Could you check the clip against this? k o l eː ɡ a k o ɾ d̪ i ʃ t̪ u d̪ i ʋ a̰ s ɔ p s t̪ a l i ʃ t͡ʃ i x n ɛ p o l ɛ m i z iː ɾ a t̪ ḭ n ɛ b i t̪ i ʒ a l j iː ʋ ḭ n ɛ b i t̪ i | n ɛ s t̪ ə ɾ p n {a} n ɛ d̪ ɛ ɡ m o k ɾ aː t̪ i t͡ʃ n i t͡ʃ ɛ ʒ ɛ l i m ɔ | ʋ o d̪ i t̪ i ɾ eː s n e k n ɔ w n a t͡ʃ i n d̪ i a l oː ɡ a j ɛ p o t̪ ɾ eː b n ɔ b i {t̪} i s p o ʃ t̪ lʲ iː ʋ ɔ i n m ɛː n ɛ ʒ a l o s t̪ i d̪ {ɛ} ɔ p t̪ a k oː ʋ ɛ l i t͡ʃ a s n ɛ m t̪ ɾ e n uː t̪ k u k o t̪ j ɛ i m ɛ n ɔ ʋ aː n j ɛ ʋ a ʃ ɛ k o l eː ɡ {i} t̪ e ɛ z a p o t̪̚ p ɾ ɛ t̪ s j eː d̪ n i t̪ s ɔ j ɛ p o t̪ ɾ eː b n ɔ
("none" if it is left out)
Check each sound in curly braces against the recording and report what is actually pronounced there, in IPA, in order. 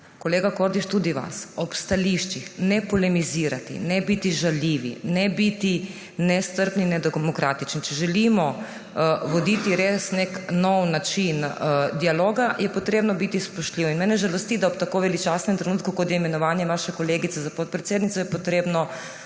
i, t̪, a, i

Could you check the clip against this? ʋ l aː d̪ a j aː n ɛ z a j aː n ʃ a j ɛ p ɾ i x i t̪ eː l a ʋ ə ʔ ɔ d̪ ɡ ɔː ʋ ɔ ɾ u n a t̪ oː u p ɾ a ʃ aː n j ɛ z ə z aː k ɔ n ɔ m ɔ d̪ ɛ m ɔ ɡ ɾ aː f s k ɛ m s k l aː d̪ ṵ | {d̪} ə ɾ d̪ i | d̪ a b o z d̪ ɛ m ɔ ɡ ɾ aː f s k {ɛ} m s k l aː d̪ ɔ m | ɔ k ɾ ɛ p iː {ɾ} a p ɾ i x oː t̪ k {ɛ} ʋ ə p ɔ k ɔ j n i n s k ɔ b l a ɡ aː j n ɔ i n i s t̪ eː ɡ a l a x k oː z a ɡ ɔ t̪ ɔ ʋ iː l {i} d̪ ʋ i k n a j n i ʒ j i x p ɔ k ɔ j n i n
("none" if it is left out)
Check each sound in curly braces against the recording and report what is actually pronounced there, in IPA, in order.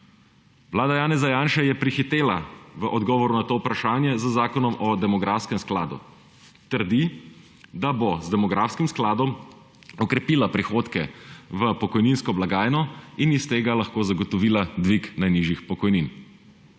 t̪, i, l, ɛ, a

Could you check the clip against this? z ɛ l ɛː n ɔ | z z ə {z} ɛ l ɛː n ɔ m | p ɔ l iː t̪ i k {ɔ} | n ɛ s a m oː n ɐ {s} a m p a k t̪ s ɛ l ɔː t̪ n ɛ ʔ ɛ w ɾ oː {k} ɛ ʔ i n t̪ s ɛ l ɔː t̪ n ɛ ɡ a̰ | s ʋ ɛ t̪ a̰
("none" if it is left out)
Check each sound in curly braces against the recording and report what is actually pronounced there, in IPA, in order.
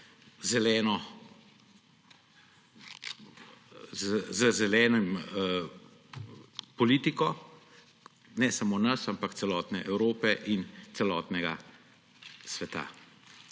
z, ɔ, s, p

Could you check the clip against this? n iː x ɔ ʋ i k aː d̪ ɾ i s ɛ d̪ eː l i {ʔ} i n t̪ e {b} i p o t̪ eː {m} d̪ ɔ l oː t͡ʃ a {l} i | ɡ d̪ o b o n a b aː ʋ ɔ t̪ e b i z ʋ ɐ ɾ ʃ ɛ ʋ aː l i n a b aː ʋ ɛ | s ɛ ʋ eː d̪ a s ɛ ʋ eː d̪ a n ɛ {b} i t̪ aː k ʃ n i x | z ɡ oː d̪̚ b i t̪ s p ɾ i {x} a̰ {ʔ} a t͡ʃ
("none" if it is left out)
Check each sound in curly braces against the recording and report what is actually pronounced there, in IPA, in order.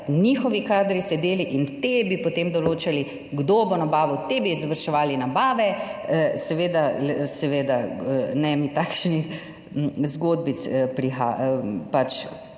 ʔ, b, m, l, m, x, p

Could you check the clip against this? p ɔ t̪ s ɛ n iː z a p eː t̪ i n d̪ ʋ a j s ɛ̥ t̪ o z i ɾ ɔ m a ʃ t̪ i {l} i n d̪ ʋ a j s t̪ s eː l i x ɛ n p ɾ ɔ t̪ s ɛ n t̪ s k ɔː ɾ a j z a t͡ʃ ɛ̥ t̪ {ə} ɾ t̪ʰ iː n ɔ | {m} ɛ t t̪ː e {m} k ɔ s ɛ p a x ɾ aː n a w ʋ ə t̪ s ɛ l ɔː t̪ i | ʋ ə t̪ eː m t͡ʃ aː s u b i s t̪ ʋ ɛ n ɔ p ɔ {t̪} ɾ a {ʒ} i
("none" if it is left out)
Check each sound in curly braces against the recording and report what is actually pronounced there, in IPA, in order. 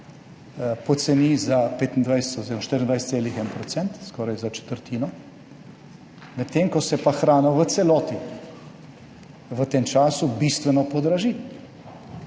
ɾ, ə, m, ŋ, d̪, ʒ

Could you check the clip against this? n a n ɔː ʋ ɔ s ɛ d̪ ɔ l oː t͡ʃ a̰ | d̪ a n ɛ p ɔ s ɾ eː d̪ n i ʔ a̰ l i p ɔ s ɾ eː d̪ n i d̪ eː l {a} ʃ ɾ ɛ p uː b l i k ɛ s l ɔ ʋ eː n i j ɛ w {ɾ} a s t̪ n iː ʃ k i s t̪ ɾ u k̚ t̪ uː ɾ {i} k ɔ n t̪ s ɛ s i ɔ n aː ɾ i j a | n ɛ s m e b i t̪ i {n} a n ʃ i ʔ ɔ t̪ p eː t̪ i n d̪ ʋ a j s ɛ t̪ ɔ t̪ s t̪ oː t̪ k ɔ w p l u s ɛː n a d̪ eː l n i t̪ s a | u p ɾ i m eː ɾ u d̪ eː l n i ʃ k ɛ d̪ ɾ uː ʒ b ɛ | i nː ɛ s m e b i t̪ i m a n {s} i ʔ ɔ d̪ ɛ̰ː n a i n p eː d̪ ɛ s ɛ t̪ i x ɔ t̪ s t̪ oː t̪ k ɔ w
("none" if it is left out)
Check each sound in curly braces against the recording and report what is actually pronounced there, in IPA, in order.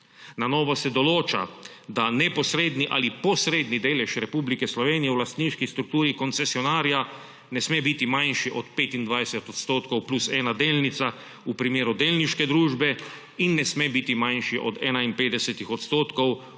ɛ, l, i, m, ʃ

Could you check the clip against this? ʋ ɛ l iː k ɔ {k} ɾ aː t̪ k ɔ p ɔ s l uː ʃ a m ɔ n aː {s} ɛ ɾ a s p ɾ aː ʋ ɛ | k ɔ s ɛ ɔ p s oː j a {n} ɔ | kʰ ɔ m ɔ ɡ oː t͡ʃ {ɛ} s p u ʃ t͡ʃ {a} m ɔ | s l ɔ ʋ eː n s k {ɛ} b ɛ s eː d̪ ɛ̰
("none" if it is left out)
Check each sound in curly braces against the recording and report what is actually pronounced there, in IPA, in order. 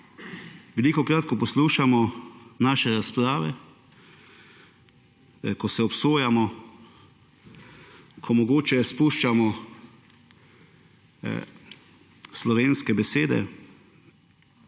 k, ʃ, m, ɛ, a, ɛ

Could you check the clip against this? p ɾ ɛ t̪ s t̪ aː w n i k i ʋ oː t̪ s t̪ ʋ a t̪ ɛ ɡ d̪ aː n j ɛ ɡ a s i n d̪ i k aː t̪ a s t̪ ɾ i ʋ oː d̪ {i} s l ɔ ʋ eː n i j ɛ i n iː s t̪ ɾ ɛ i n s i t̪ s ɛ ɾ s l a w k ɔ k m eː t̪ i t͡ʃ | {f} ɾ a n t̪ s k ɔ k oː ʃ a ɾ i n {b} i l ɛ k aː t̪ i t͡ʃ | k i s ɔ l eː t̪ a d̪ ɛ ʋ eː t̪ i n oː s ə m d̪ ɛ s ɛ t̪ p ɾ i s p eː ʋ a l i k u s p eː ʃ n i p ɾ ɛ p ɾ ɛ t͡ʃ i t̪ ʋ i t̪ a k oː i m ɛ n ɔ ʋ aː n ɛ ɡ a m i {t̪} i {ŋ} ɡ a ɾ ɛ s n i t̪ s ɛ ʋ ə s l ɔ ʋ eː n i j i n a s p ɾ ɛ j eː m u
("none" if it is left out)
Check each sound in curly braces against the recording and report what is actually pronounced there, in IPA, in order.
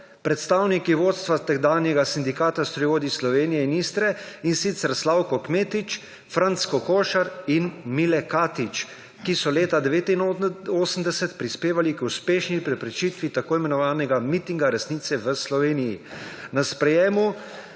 i, f, m, t̪, ŋ

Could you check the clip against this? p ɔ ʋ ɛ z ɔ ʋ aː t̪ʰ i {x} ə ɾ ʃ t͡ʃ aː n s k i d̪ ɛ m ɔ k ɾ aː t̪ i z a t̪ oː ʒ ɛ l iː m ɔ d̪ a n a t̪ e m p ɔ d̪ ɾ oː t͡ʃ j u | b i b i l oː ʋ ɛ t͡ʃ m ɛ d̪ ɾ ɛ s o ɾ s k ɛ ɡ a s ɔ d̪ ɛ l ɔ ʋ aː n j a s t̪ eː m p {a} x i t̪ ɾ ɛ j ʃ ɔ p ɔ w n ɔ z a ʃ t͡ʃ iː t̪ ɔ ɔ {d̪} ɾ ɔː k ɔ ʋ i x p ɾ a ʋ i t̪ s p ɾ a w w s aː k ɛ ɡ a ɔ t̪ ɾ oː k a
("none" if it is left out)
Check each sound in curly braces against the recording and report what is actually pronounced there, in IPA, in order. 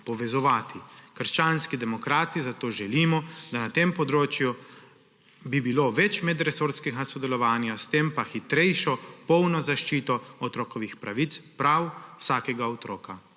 k, a, t̪

